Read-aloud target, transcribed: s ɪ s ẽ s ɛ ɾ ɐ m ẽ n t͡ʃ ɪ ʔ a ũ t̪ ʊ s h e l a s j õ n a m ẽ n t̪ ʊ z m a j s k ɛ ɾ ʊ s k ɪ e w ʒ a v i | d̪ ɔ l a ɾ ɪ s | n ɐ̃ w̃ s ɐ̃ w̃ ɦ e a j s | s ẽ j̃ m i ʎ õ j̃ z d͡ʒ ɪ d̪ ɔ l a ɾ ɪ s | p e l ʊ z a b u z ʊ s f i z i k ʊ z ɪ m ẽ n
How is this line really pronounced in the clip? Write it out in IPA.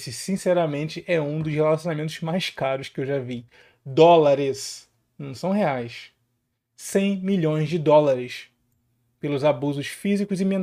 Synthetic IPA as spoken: s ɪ s ĩ s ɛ ɾ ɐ m ẽ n t͡ʃ ɪ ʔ ɛ ũ d̪ ʊ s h e l a s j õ n a m ẽ n t̪ ʊ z m a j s k a ɾ ʊ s k ɪ e w ʒ a v i | d̪ ɔ l a ɾ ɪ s | n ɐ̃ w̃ s ɐ̃ w̃ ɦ e a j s | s ẽ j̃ m i ʎ õ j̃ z d͡ʒ ɪ d̪ ɔ l a ɾ ɪ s | p e l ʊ z a b u z ʊ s f i z i k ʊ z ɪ m ẽ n